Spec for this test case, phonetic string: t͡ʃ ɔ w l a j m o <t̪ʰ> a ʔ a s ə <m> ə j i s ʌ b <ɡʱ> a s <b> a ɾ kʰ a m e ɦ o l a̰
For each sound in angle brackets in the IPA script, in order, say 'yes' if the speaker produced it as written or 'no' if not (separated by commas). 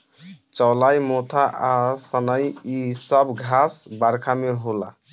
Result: yes, no, yes, yes